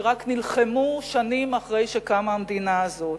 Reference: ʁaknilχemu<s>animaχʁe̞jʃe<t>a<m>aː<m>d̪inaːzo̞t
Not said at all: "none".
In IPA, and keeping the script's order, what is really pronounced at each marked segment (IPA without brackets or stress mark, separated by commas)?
ʃ, k, m, m